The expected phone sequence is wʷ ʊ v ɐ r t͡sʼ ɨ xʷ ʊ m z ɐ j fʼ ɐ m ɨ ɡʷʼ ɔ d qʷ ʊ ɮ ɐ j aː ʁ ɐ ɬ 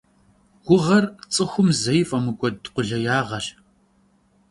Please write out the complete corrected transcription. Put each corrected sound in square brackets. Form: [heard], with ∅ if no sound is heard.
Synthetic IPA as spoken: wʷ ʊ [ʁ] ɐ r t͡sʼ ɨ xʷ ʊ m z ɐ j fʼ ɐ m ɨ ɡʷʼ ɔ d qʷ ʊ ɮ ɐ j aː ʁ ɐ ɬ